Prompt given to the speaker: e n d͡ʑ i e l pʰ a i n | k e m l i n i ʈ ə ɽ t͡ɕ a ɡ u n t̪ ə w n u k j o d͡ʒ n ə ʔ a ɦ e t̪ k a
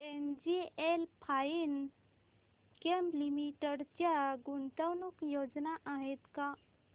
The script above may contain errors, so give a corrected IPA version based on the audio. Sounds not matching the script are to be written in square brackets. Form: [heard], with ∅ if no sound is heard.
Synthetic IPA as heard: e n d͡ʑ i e l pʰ a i n | k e m l i [m] i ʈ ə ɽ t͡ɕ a ɡ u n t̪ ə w n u k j o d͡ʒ n [a] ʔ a ɦ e t̪ k a